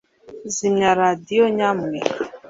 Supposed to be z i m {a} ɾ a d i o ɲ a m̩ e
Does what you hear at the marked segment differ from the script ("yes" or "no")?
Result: no